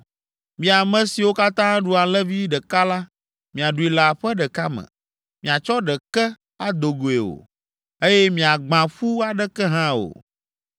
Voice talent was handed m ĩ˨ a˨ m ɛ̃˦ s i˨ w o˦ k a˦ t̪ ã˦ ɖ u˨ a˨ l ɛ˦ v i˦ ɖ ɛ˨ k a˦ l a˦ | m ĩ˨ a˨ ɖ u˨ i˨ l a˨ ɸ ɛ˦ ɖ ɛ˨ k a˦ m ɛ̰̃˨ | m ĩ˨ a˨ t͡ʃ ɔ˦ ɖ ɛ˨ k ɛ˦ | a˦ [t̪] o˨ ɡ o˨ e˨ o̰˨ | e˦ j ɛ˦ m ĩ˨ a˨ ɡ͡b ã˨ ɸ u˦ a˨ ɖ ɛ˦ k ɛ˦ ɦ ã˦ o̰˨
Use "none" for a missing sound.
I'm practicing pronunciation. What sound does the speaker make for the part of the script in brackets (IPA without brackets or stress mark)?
d̪